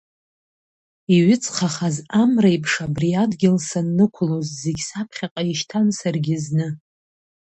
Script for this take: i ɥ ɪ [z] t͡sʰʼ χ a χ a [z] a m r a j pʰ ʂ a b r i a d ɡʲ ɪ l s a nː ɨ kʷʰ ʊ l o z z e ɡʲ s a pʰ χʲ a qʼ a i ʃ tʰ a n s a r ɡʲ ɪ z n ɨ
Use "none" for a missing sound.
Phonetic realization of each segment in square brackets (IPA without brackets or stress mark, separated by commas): none, z